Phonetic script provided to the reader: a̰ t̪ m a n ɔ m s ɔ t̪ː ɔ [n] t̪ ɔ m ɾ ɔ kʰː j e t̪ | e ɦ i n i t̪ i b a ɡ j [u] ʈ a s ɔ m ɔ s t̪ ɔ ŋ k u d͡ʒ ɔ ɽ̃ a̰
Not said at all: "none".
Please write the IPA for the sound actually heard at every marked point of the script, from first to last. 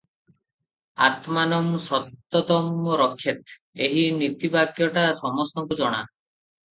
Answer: none, ɔ

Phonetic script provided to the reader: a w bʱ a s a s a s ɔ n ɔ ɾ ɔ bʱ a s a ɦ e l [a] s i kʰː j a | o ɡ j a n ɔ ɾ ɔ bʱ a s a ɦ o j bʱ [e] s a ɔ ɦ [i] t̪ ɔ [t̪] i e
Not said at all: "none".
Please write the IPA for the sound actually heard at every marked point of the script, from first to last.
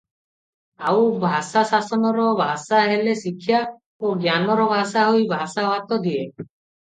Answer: e, a, a, d̪

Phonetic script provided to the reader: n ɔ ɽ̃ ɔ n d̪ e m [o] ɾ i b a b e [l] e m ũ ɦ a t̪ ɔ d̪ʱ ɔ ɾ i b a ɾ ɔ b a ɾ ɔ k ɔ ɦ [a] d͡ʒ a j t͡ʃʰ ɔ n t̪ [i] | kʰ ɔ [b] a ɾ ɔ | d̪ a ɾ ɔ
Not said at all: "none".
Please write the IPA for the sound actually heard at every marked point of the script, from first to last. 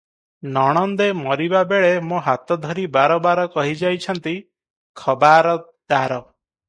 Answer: ɔ, ɭ, i, i, b

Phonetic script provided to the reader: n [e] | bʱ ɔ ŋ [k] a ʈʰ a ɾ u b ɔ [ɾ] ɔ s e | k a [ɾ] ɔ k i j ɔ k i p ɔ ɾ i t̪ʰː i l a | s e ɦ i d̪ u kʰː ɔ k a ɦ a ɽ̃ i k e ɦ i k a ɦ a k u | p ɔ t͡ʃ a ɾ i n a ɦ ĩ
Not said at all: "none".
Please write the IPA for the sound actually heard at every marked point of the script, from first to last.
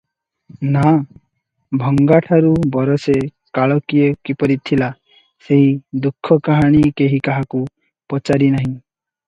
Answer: a, ɡ, ɾ, ɭ

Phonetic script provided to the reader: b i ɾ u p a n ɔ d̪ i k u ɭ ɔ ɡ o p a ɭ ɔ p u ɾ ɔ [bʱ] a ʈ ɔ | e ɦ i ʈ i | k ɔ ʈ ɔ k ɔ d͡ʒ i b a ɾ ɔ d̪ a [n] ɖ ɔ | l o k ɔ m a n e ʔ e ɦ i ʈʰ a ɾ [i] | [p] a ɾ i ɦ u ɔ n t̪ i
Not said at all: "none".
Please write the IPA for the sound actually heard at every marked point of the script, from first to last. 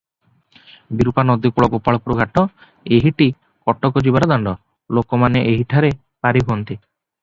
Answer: ɡʱ, ɳ, e, p

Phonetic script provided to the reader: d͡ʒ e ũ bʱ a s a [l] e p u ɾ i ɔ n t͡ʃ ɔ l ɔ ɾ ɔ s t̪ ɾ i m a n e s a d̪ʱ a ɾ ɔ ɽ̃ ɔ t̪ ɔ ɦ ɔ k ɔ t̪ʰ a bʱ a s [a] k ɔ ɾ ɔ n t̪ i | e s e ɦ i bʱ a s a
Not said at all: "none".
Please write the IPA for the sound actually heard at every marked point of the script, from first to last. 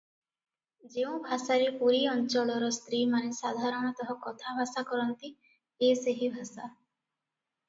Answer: ɾ, a

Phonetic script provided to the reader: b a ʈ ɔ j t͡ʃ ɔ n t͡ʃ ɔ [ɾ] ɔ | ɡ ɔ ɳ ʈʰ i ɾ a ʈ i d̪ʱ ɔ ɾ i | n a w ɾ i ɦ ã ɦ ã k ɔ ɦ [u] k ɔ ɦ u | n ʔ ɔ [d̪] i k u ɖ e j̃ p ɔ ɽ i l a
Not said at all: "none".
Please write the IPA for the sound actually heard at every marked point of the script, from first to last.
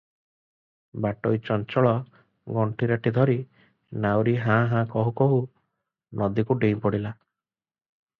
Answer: ɭ, u, d̪

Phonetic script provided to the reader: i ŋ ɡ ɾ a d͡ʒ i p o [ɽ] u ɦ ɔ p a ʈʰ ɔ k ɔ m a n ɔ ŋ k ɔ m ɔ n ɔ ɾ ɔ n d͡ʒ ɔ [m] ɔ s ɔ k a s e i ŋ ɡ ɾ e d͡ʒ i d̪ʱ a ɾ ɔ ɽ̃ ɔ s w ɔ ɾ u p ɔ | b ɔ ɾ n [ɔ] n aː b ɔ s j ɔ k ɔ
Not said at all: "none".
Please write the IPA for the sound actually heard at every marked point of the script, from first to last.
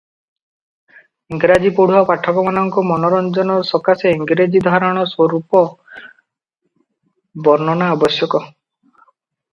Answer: ɽ, n, ɔ

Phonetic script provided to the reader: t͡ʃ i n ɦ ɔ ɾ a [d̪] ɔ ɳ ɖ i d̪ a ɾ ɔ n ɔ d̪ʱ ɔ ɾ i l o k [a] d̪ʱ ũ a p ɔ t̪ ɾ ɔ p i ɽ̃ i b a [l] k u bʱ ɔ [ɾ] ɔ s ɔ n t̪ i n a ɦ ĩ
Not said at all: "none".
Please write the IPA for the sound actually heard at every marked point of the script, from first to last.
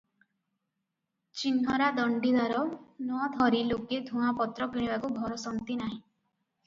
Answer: d̪, e, none, ɾ

